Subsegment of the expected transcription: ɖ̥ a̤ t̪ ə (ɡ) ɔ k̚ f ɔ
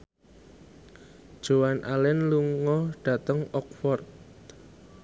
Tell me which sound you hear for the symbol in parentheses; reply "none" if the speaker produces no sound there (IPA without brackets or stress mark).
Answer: ŋ